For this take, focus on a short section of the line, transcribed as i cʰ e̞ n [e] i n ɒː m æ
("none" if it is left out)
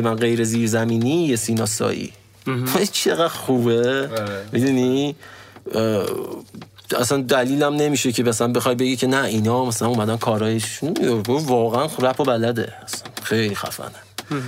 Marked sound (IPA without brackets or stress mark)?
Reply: æ